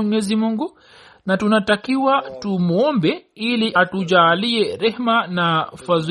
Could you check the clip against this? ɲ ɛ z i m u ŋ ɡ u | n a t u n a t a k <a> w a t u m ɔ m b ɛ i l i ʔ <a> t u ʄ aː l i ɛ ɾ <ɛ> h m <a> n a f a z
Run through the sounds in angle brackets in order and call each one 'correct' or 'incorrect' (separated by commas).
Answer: incorrect, correct, correct, correct